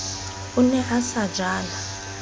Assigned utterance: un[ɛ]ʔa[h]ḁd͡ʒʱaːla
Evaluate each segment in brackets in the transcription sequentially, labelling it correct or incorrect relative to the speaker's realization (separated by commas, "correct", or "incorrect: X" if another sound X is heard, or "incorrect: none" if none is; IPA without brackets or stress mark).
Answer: correct, incorrect: s